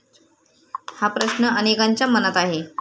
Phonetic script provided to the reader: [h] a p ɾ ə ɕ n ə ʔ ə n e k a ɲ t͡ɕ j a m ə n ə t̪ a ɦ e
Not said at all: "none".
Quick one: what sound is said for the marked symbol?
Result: h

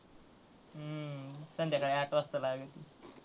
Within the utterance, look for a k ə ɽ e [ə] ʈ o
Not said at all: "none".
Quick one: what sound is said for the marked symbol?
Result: a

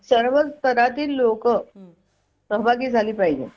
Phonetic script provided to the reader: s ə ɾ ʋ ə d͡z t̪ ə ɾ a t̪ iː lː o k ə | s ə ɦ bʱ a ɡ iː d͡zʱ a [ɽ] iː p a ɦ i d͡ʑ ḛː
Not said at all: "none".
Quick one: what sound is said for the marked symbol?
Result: l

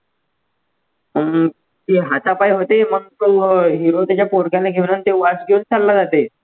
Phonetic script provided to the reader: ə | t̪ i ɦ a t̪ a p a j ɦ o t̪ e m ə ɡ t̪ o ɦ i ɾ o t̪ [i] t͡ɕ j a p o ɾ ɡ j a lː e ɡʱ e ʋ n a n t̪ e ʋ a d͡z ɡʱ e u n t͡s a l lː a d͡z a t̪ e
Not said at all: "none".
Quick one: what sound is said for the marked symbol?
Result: a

